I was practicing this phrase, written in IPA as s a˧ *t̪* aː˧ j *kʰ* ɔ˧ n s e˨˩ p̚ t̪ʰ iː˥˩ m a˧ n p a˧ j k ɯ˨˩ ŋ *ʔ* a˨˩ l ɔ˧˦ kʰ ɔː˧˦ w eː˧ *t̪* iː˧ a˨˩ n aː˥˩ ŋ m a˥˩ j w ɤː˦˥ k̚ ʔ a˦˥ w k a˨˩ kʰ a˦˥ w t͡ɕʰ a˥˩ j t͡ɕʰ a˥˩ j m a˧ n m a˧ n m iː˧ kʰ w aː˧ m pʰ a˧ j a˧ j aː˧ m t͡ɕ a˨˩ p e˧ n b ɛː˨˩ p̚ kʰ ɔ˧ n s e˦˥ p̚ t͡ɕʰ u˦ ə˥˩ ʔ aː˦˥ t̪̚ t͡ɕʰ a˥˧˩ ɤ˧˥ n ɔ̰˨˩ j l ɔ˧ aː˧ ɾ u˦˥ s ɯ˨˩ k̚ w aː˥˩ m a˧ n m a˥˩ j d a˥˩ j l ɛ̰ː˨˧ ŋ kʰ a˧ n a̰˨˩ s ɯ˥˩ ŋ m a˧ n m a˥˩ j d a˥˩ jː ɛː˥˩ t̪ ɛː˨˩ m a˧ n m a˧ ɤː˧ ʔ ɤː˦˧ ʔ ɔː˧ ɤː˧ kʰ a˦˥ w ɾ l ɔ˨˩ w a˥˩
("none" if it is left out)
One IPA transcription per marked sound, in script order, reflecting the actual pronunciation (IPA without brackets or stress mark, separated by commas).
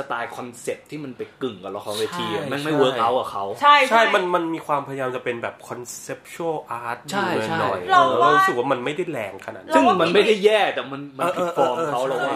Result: t̪, kʰ, k, t̪ʰ